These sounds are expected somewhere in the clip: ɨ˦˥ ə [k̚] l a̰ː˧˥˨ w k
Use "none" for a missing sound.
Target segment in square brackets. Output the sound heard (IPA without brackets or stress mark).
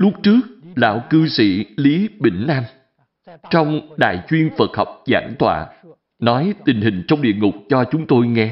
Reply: k̚